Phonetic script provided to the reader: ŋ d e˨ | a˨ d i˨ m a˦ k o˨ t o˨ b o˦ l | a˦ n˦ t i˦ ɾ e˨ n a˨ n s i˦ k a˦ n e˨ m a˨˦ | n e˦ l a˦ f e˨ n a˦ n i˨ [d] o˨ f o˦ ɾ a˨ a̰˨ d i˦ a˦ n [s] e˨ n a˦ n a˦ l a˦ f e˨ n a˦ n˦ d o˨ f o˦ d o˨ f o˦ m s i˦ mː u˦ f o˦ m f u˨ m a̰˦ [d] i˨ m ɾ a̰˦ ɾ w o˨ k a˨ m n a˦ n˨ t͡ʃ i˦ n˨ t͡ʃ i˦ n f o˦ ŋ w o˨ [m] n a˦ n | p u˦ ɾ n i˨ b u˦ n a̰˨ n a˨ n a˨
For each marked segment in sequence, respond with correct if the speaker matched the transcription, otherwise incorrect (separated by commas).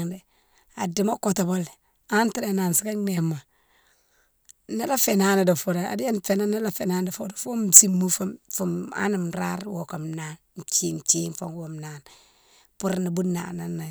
correct, incorrect, incorrect, correct